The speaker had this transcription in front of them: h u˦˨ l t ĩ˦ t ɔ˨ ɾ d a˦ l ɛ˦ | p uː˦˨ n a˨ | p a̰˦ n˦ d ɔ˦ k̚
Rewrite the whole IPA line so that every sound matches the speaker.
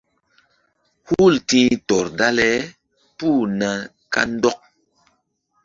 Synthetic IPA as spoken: h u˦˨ l t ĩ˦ t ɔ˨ ɾ d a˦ l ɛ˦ | p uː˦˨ n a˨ | k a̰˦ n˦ d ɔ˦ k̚